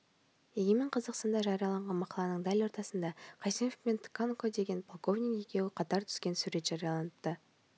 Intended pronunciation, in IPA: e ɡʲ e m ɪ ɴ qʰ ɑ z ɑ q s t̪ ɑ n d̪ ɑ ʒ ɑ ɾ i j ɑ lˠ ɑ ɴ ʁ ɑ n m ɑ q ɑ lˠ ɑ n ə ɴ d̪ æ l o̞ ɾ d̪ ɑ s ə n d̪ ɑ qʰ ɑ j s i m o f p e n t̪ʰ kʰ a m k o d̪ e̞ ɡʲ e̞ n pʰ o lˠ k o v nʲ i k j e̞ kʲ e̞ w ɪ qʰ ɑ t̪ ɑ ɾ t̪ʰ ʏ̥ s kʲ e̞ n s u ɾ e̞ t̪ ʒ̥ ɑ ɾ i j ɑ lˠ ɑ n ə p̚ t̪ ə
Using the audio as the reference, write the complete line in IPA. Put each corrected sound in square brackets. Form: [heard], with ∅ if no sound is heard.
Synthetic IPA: e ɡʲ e m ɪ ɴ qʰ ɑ z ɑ q s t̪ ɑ n d̪ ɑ ʒ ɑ ɾ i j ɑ lˠ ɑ ɴ ʁ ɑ n m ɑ q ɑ lˠ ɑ n ə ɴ d̪ æ l o̞ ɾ [t̪] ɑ s ə n d̪ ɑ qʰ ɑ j s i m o f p e n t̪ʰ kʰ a [n] k o d̪ e̞ ɡʲ e̞ n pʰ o lˠ k o v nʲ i k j e̞ kʲ e̞ w ɪ qʰ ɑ t̪ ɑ ɾ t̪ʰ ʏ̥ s kʲ e̞ n s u ɾ e̞ t̪ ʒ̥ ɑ ɾ i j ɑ lˠ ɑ n ə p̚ t̪ ə

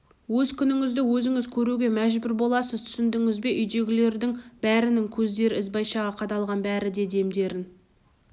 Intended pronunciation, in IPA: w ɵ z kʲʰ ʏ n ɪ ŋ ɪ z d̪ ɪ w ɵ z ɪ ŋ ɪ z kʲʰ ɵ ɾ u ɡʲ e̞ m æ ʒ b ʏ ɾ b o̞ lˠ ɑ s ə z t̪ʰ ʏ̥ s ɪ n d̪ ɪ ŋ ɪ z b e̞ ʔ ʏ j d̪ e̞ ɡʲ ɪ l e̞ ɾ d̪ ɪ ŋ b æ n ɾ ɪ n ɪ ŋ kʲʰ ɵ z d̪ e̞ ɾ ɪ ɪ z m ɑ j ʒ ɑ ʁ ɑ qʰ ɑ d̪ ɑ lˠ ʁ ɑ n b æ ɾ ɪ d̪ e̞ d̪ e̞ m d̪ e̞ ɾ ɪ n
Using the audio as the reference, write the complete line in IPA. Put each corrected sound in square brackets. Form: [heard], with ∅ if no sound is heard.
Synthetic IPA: w ɵ z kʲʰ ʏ n ɪ ŋ ɪ z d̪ ɪ w ɵ z ɪ ŋ ɪ z kʲʰ ɵ ɾ u ɡʲ e̞ m æ ʒ b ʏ ɾ b o̞ lˠ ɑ s ə z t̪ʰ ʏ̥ s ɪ n d̪ ɪ ŋ ɪ z b e̞ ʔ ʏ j d̪ e̞ ɡʲ ɪ l e̞ ɾ d̪ ɪ ŋ b æ [∅] ɾ ɪ n ɪ ŋ kʲʰ ɵ z d̪ e̞ ɾ ɪ ɪ z [b] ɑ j [ʃ] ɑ ʁ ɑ qʰ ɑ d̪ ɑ lˠ ʁ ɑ n b æ ɾ ɪ d̪ e̞ d̪ e̞ m d̪ e̞ ɾ ɪ n

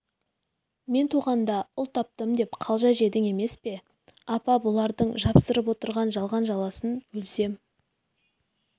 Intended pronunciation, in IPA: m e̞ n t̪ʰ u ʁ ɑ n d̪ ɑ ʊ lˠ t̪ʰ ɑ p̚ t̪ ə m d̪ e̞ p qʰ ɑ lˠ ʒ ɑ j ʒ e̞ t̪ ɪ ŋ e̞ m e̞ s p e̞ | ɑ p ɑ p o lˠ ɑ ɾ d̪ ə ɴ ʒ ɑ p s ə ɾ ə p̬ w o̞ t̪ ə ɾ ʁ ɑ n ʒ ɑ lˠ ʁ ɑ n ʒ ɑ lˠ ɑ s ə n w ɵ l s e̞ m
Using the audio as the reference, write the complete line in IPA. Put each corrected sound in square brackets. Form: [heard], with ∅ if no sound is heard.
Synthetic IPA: m e̞ n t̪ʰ u ʁ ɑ n d̪ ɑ ʊ lˠ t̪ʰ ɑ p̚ t̪ ə m d̪ e̞ p qʰ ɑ lˠ ʒ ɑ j ʒ e̞ [d̪] ɪ ŋ e̞ m e̞ s p e̞ | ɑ p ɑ [b] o lˠ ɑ ɾ d̪ ə ɴ ʒ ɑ p s ə ɾ ə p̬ w o̞ t̪ ə ɾ ʁ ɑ n ʒ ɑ lˠ ʁ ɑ n ʒ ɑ lˠ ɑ s ə n w ɵ l s e̞ m

